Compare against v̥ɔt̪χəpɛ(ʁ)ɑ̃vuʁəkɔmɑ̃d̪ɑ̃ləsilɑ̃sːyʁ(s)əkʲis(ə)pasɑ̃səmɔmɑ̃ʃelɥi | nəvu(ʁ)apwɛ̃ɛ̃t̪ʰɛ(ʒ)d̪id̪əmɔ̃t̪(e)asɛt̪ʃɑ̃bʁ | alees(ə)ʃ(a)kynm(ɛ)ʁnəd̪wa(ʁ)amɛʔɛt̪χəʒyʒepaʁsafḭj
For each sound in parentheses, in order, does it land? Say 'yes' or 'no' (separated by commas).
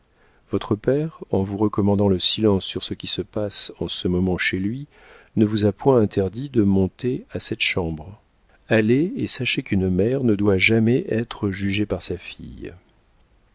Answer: yes, yes, yes, no, no, yes, no, no, yes, no